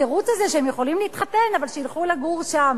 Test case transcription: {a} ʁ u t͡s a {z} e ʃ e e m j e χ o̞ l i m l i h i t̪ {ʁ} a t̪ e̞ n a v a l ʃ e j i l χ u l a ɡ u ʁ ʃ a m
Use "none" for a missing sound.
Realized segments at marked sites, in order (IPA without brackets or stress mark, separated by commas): e, z, χ